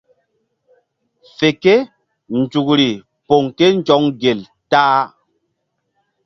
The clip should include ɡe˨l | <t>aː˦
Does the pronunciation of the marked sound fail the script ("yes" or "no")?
no